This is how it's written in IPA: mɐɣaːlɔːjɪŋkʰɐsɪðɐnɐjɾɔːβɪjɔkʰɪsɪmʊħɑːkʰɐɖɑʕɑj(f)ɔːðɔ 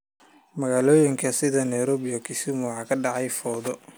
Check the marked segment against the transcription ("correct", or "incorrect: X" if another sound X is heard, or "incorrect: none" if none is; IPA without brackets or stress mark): correct